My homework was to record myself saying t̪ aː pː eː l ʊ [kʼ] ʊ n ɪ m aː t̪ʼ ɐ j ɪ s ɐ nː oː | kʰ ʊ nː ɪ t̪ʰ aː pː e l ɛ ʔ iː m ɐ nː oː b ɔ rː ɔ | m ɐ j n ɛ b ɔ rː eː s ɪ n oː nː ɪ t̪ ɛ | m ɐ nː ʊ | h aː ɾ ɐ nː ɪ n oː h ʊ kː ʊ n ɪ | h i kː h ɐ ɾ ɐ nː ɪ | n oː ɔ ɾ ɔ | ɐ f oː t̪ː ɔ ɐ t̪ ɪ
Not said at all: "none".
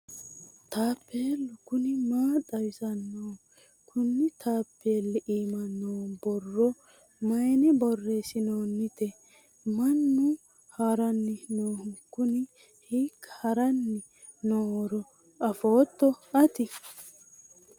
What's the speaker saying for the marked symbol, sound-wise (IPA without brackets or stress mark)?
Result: k